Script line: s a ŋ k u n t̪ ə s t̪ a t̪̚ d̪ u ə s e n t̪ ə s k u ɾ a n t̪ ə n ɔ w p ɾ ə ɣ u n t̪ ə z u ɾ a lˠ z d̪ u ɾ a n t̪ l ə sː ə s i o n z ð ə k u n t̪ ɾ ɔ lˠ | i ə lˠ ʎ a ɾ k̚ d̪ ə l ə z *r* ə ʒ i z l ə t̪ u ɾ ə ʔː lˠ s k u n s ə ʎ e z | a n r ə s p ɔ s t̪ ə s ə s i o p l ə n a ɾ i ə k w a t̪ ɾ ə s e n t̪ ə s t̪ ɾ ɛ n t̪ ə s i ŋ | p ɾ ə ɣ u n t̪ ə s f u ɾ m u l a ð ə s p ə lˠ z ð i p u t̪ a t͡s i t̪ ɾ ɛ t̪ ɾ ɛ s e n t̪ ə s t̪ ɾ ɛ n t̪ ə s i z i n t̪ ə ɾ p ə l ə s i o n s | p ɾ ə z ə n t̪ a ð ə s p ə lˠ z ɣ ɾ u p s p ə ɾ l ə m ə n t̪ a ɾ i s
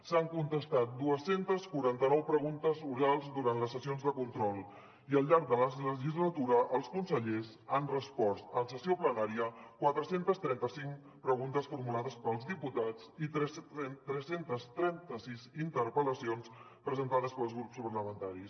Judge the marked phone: incorrect: l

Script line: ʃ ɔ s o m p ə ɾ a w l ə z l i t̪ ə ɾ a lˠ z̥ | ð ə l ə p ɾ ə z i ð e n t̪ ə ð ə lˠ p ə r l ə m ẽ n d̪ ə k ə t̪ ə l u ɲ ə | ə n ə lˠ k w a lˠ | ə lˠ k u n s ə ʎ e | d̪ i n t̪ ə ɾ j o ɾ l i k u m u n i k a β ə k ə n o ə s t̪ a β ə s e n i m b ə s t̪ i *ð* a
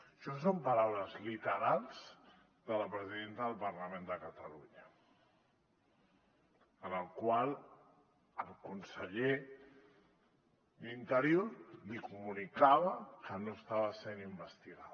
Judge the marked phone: incorrect: ɣ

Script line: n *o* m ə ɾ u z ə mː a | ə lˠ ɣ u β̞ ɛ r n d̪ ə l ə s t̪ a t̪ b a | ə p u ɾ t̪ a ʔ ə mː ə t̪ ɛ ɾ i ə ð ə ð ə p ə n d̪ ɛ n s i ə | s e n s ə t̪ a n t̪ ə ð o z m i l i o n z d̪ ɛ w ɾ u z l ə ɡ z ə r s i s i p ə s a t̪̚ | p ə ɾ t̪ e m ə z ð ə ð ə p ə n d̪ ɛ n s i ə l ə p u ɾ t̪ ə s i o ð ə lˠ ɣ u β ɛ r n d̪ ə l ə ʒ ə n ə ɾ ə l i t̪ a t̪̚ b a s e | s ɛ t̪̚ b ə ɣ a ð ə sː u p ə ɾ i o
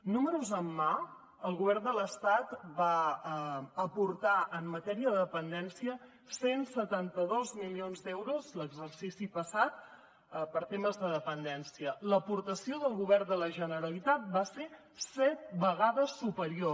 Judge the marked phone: incorrect: u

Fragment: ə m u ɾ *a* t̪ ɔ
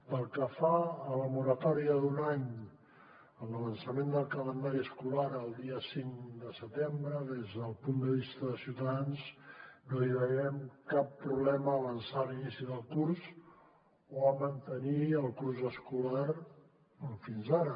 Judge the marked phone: incorrect: ə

